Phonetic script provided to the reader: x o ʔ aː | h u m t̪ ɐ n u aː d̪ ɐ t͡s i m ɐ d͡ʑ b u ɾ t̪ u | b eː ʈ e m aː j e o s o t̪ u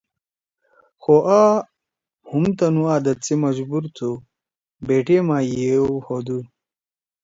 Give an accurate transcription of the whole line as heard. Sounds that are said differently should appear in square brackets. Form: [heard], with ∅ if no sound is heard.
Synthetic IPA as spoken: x o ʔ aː | h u m t̪ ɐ n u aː d̪ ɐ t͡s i m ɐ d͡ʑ b u ɾ [t̪ʰ] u | b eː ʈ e m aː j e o [h] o [d̪] u